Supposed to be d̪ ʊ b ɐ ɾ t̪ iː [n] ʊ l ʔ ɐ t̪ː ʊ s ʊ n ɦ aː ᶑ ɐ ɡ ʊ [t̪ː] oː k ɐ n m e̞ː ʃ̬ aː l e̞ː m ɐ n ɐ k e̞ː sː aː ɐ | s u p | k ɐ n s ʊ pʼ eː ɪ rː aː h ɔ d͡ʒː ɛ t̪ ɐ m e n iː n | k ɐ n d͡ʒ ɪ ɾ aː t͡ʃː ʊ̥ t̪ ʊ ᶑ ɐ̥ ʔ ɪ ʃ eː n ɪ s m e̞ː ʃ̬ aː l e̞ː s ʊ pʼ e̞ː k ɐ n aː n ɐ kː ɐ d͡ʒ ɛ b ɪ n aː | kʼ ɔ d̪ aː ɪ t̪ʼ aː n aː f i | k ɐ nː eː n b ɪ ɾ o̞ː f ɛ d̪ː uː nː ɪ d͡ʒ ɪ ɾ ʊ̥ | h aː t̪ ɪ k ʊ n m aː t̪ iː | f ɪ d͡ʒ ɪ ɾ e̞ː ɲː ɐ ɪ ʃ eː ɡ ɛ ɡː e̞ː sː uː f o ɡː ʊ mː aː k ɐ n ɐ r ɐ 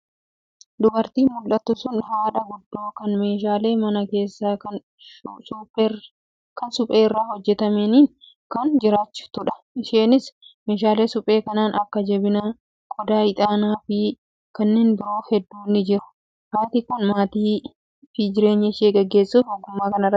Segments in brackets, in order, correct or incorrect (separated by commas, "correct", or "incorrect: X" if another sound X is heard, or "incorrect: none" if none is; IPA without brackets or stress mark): incorrect: m, incorrect: d̪ː